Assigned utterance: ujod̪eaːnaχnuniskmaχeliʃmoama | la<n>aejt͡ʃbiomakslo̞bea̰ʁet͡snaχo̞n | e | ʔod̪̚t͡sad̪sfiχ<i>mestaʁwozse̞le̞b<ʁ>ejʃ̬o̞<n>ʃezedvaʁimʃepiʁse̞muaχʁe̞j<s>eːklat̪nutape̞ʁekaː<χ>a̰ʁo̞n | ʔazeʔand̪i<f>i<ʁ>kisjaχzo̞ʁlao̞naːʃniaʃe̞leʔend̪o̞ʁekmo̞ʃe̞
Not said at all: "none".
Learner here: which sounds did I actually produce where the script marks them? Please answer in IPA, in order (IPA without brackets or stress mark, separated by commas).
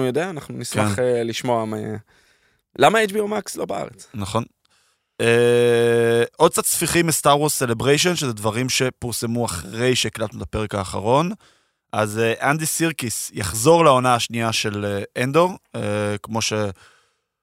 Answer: m, i, ʁ, n, ʃ, χ, s, ʁ